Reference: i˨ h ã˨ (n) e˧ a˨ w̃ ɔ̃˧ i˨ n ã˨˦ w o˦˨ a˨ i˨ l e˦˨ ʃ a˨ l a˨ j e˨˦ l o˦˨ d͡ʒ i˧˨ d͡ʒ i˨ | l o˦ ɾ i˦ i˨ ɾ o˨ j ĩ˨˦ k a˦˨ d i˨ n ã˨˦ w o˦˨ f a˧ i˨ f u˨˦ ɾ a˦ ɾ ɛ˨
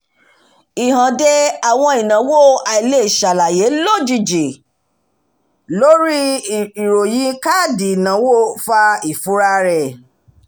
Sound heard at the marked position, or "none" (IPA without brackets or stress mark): d